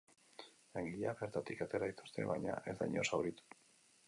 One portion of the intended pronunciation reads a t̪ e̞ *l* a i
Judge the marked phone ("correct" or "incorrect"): incorrect